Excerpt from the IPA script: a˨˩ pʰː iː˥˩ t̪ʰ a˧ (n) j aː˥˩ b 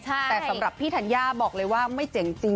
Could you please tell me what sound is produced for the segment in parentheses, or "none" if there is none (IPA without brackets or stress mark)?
n